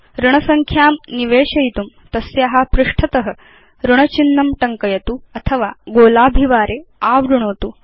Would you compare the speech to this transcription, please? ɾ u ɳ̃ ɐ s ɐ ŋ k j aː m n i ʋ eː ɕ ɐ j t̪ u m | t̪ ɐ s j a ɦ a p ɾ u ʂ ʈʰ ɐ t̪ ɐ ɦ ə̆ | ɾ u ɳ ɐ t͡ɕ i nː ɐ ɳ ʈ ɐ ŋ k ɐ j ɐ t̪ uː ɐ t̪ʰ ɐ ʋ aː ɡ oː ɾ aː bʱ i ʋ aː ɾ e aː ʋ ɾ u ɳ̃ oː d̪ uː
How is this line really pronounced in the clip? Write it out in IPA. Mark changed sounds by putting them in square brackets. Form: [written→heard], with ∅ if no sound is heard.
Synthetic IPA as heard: ɾ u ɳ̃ ɐ s ɐ ŋ [k→kʰ] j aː m n i ʋ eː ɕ ɐ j t̪ u m | t̪ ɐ s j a ɦ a p ɾ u ʂ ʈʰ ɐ t̪ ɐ ɦ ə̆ | ɾ u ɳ ɐ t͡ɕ i nː ɐ [ɳ→m] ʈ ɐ ŋ k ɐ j ɐ t̪ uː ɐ t̪ʰ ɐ ʋ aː ɡ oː [ɾ→l] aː bʱ i ʋ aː ɾ e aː ʋ ɾ u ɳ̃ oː [d̪→t̪] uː